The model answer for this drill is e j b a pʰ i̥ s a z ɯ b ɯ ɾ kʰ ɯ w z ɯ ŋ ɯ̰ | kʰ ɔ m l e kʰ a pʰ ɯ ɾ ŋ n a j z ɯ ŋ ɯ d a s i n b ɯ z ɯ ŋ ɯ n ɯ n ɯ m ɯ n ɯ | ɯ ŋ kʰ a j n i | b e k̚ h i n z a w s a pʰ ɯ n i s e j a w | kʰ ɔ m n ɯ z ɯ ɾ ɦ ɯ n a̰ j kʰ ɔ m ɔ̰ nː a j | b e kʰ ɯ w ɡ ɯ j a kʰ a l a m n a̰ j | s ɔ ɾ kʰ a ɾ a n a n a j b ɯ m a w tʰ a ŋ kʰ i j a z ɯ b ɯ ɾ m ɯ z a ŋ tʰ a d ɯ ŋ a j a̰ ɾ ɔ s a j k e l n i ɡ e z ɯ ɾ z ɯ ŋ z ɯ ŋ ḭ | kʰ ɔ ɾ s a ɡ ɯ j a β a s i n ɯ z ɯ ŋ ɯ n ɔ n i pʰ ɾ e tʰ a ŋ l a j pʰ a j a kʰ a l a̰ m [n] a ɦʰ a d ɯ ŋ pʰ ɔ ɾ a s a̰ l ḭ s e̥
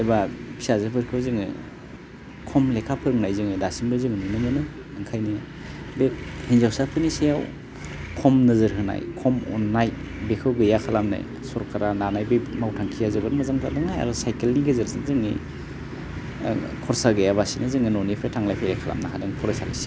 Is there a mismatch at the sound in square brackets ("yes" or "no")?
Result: no